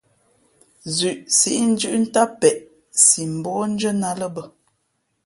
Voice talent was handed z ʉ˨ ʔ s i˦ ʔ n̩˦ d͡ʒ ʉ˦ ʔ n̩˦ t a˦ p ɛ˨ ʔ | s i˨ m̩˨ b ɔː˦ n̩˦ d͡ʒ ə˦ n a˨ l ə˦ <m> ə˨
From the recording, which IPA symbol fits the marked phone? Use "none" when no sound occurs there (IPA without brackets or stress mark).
b